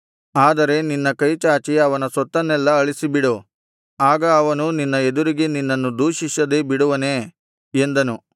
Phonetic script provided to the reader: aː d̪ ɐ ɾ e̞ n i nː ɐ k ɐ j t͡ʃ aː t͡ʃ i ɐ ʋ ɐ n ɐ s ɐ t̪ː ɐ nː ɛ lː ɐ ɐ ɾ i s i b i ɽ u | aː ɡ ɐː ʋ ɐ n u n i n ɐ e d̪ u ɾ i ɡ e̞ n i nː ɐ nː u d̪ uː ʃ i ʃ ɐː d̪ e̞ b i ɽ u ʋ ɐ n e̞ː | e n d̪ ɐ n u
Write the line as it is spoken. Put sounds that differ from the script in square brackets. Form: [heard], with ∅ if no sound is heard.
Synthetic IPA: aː d̪ ɐ ɾ e̞ n i nː ɐ k ɐ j t͡ʃ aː t͡ʃ i ɐ ʋ ɐ n ɐ s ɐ t̪ː ɐ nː ɛ lː ɐ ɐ [ɭ] i s i b i ɽ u | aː ɡ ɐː ʋ ɐ n u n i [nː] ɐ e d̪ u ɾ i ɡ e̞ n i nː ɐ nː u d̪ uː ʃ i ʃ [ɐ] d̪ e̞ b i ɽ u ʋ ɐ n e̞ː | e n d̪ ɐ n u